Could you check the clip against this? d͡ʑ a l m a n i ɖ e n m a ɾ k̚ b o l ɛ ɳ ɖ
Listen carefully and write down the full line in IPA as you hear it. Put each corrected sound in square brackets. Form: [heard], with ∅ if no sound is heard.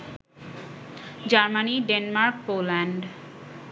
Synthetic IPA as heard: d͡ʑ a [ɾ] m a n i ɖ e n m a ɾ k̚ [p] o l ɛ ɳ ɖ

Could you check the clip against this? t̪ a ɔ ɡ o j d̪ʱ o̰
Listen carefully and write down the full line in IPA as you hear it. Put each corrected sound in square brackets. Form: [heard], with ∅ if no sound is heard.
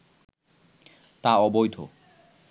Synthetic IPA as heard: t̪ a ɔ [b] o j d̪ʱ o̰

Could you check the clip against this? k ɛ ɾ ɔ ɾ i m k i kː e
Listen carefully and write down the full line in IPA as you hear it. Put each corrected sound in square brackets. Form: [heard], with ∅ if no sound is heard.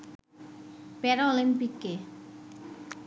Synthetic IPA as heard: [p] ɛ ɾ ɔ [l] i m [p] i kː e

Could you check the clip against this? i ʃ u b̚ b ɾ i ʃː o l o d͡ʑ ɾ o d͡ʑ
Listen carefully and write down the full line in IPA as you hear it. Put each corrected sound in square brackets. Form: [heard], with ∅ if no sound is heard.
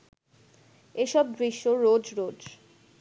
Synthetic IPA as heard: [e] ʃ [ɔ] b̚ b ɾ i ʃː o [ɾ] o d͡ʑ ɾ o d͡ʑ

